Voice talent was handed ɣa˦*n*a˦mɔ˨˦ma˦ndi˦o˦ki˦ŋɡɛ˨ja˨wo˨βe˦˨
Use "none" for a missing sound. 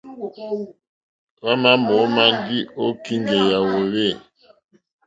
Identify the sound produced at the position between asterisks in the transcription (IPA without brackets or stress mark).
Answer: m